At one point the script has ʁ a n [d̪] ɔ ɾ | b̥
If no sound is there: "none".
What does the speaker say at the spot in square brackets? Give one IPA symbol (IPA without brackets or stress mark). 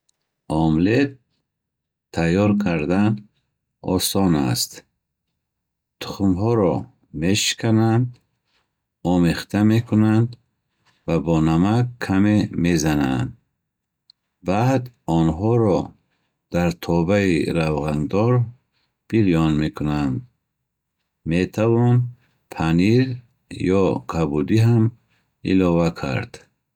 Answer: d̪